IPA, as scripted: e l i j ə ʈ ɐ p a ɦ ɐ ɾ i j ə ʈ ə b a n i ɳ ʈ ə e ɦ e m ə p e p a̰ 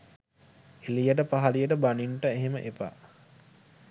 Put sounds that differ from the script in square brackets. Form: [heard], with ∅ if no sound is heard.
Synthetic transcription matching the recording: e l i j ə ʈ [ə] p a ɦ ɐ [l] i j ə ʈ ə b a n i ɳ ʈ ə e ɦ e m ə [ʔ] e p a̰